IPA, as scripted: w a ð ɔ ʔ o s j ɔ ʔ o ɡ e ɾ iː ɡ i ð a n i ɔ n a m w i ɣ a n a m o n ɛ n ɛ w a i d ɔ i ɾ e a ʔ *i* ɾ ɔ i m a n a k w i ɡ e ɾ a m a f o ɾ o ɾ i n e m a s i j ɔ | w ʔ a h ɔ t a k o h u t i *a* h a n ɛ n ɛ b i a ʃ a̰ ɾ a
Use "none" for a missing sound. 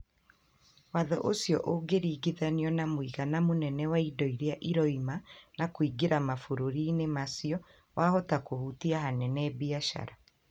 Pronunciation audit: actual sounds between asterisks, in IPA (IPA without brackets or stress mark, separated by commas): i, a